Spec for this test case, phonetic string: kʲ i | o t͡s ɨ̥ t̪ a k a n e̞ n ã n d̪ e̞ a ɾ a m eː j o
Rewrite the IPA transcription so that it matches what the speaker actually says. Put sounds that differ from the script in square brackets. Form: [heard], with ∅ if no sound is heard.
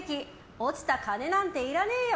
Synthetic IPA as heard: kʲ i | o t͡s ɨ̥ t̪ a k a n e̞ n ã n [t̪] e̞ [i] ɾ a [n] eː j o